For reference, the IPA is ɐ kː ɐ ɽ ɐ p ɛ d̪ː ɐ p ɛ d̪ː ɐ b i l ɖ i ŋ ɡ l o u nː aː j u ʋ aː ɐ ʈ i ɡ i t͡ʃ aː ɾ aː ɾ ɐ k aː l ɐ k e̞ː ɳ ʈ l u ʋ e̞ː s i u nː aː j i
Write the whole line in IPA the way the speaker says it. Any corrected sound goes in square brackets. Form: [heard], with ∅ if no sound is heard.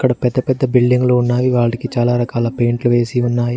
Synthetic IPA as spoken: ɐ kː ɐ ɽ ɐ p ɛ d̪ː ɐ p ɛ d̪ː ɐ b i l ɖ i ŋ ɡ l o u nː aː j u ʋ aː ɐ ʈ i [k] i t͡ʃ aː [l] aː ɾ ɐ k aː l ɐ [p] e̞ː ɳ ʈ l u ʋ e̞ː s i u nː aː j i